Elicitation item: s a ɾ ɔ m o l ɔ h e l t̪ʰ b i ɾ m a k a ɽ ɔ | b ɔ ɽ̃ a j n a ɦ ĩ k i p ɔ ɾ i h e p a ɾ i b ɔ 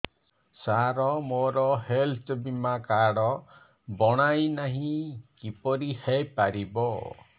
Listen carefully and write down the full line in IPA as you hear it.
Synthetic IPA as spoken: s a ɾ ɔ m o ɾ ɔ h e l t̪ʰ b i m a k a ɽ ɔ | b ɔ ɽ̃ a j n a ɦ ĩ k i p ɔ ɾ i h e p a ɾ i b ɔ

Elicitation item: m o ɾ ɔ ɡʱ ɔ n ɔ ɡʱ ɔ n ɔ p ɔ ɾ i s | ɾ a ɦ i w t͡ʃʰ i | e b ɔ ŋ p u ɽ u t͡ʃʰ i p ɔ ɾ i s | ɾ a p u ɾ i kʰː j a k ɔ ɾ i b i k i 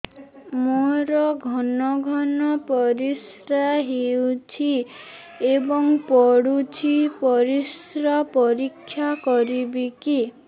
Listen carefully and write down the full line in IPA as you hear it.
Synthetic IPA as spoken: m o ɾ ɔ ɡʱ ɔ n ɔ ɡʱ ɔ n ɔ p ɔ ɾ i s | ɾ a ɦ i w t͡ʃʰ i | e b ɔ ŋ p ɔ ɽ u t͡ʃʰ i p ɔ ɾ i s | ɾ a p ɔ ɾ i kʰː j a k ɔ ɾ i b i k i

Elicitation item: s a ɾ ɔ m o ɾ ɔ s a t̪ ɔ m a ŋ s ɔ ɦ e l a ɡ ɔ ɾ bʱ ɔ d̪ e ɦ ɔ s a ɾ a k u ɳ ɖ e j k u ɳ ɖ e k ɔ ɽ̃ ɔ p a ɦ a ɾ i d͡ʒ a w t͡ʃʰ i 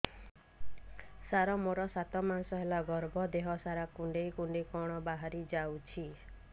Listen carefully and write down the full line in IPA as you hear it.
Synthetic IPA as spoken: s a ɾ ɔ m o ɾ ɔ s a t̪ ɔ m a n s ɔ ɦ e l a ɡ ɔ ɾ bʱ ɔ d̪ e ɦ ɔ s a ɾ a k u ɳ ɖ e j k u ɳ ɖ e k ɔ ɽ̃ ɔ b a ɦ a ɾ i d͡ʒ a w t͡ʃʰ i

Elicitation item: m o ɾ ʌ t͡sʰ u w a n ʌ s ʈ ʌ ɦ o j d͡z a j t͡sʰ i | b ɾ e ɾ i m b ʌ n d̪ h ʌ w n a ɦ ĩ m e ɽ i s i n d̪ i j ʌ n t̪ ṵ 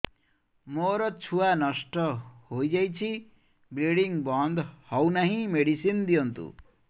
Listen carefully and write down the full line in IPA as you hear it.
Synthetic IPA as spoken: m o ɾ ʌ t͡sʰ u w a n ʌ s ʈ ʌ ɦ o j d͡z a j t͡sʰ i | b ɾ e ɽ i ŋ b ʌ n d̪ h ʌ w n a ɦ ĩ m e ɽ i s i n d̪ i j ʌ n t̪ ṵ

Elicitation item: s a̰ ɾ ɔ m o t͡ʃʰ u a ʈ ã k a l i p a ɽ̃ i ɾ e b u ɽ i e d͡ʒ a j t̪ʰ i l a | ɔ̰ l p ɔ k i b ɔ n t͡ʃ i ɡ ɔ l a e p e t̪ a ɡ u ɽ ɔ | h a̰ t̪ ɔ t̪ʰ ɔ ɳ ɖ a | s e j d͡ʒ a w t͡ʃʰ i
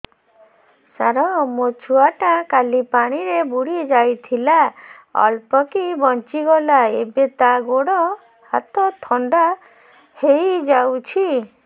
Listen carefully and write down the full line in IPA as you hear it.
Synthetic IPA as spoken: s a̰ ɾ ɔ m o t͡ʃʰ u a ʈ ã k a l i p a ɽ̃ i ɾ e b u ɽ i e d͡ʒ a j t̪ʰ i l a | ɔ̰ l p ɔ k i b ɔ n t͡ʃ i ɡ ɔ l a e b e t̪ a ɡ o ɽ ɔ | h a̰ t̪ ɔ t̪ʰ ɔ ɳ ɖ a | h e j d͡ʒ a w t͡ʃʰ i

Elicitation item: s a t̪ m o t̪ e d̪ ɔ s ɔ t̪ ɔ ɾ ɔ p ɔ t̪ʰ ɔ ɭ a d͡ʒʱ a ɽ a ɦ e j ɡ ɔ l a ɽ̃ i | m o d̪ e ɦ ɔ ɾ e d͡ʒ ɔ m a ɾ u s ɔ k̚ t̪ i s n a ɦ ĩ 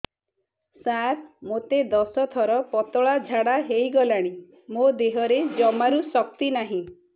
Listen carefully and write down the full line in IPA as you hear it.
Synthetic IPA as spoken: s a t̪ m o t̪ e d̪ ɔ s ɔ t̪ʰ ɔ ɾ ɔ p ɔ t̪ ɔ ɭ a d͡ʒʱ a ɽ a ɦ e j ɡ ɔ l a ɽ̃ i | m o d̪ e ɦ ɔ ɾ e d͡ʒ ɔ m a ɾ u s ɔ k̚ t̪ i n a ɦ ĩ

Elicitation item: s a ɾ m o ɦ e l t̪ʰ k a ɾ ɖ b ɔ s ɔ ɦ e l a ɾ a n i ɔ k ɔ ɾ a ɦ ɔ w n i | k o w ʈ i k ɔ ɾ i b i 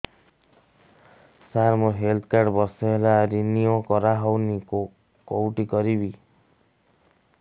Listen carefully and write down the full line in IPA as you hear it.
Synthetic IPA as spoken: s a ɾ m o ɦ e l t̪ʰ k a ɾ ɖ b ɔ s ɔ ɦ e l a ɾ i n i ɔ k ɔ ɾ a ɦ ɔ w n i | k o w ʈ i k ɔ ɾ i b i

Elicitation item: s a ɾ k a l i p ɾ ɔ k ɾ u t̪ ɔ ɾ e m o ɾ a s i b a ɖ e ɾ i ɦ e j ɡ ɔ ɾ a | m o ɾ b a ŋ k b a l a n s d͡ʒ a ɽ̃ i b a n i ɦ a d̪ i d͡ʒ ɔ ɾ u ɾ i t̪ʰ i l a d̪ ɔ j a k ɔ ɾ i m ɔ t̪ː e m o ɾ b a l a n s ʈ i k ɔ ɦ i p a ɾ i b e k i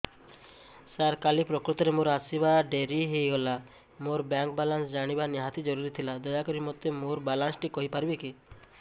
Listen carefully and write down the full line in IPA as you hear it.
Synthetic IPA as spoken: s a ɾ k a l i p ɾ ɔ k ɾ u t̪ ɔ ɾ e m o ɾ a s i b a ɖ e ɾ i ɦ e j ɡ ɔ l a | m o ɾ b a ŋ k b a l a n s d͡ʒ a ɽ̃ i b a n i ɦ a t̪ i d͡ʒ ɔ ɾ u ɾ i t̪ʰ i l a d̪ ɔ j a k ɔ ɾ i m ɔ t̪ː e m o ɾ b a l a n s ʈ i k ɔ ɦ i p a ɾ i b e k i

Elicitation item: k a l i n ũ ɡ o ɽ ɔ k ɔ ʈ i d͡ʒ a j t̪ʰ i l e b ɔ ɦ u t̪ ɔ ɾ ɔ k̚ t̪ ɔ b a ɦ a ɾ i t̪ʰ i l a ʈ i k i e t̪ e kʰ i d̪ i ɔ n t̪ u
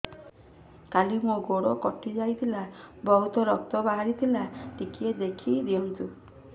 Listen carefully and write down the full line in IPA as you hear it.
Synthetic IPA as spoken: k a l i m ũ ɡ o ɽ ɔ k ɔ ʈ i d͡ʒ a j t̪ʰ i l a b ɔ ɦ u t̪ ɔ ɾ ɔ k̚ t̪ ɔ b a ɦ a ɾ i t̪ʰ i l a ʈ i k i e d̪ e kʰ i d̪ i ɔ n t̪ u

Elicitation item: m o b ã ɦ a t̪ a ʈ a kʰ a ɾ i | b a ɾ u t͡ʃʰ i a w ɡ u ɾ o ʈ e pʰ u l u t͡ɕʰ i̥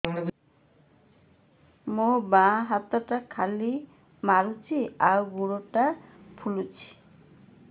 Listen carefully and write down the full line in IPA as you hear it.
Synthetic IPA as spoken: m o b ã ɦ a t̪ a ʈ a kʰ a l i | m a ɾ u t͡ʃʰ i a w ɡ u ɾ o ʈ a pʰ u l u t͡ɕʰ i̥

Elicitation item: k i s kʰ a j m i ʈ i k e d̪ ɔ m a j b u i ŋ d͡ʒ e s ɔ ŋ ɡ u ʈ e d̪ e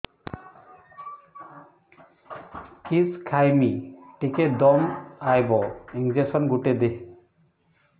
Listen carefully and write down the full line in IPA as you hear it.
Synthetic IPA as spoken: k i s kʰ a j m i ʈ i k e d̪ ɔ m a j b ɔ i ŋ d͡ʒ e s ɔ n ɡ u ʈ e d̪ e

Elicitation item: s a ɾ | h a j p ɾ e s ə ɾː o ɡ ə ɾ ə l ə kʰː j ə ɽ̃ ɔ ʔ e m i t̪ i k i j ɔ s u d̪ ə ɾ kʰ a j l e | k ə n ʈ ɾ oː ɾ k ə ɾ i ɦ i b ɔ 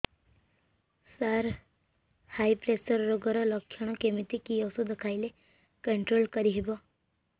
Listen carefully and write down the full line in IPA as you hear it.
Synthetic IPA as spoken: s a ɾ | h a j p ɾ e s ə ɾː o ɡ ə ɾ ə l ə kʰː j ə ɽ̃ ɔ k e m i t̪ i k i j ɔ s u d̪ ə kʰ a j l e | k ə ɳ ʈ ɾ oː l k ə ɾ i ɦ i b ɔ

